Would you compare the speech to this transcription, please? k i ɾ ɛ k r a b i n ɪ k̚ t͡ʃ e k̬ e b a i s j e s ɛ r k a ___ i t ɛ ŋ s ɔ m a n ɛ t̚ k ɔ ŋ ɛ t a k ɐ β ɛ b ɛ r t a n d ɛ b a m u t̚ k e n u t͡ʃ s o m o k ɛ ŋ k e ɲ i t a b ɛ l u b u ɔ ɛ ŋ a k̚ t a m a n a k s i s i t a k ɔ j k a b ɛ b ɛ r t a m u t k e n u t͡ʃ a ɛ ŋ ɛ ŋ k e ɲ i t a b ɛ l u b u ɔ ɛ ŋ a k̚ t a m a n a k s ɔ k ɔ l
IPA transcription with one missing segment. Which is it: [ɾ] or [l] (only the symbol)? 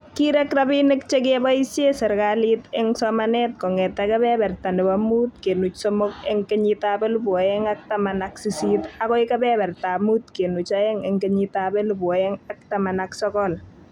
l